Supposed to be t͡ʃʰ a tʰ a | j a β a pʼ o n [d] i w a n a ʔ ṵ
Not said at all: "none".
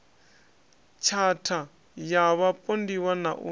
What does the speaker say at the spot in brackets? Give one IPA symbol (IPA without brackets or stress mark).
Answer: d